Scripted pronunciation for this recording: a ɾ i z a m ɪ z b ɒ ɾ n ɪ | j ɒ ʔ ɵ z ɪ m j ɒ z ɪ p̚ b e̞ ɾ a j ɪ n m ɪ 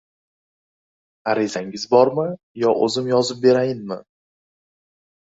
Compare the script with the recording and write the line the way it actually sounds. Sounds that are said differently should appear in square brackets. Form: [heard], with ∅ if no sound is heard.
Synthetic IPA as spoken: a ɾ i z a [ŋ] ɪ z b ɒ ɾ [m] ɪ | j ɒ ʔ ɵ z ɪ m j ɒ z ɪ p̚ b e̞ ɾ a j ɪ n m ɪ